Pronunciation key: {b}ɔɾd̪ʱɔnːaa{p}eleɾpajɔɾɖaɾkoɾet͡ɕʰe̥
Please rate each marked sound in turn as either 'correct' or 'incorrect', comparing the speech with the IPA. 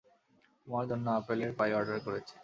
incorrect: m, correct

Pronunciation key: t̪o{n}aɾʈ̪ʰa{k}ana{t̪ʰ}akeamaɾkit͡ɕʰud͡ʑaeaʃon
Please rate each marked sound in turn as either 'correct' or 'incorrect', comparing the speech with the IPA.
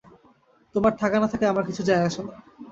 incorrect: m, correct, correct

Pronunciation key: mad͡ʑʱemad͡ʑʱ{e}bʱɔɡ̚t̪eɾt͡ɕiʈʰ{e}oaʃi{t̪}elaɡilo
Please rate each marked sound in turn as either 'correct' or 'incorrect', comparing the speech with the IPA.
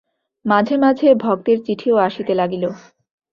correct, incorrect: i, correct

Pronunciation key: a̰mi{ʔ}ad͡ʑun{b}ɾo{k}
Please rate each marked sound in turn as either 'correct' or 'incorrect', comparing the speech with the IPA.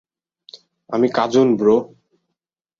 incorrect: k, correct, incorrect: none

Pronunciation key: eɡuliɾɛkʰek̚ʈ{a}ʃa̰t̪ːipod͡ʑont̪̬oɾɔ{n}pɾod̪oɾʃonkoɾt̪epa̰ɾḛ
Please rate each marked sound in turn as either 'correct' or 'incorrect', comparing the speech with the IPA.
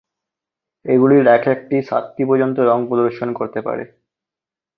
incorrect: i, incorrect: ŋ

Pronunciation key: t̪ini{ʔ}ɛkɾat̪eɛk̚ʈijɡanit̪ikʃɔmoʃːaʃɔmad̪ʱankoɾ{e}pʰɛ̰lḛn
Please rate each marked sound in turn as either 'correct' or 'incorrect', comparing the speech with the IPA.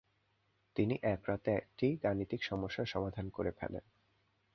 correct, correct

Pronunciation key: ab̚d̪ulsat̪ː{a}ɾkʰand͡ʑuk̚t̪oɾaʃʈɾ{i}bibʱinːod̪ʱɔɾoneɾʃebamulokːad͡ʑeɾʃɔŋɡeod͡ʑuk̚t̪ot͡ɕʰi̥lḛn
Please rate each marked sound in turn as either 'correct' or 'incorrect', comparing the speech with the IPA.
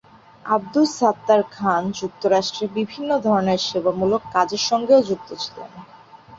correct, incorrect: e

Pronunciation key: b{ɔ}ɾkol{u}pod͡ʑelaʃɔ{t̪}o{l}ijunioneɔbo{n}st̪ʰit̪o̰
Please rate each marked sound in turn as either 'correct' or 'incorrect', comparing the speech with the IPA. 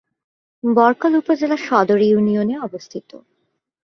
correct, correct, incorrect: d̪, incorrect: ɾ, incorrect: none

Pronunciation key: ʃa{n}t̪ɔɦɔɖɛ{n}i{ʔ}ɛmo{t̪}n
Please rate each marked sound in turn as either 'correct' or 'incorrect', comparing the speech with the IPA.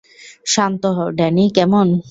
correct, correct, incorrect: k, incorrect: none

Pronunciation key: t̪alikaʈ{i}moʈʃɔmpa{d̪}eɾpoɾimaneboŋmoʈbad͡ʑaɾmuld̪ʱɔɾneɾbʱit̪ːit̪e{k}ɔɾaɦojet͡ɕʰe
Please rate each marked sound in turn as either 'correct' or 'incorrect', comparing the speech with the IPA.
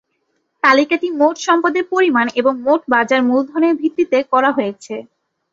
correct, correct, correct

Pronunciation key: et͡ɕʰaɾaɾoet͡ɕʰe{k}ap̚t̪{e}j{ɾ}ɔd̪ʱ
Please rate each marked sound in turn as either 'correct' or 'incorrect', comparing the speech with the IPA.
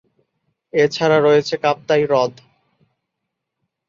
correct, incorrect: a, correct

